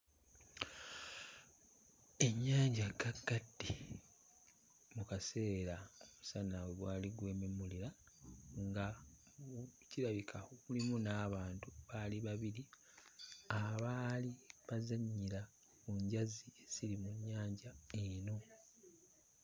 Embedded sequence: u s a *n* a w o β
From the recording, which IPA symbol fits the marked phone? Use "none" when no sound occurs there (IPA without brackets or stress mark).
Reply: n